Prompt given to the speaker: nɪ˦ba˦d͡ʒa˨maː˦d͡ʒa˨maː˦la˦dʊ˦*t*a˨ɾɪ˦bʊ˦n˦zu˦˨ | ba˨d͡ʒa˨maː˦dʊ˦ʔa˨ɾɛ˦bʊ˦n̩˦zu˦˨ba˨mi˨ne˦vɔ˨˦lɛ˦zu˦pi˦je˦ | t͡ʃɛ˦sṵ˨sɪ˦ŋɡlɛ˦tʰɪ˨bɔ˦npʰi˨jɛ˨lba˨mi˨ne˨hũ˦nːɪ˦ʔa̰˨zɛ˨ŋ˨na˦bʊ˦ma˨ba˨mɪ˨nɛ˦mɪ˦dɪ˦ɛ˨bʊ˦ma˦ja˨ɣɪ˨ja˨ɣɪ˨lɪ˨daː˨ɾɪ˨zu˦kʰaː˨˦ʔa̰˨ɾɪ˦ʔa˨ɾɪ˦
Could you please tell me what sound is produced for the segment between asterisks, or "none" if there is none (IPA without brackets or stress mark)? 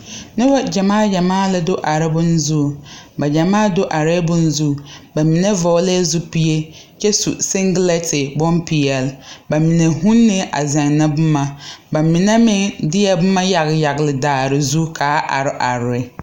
ʔ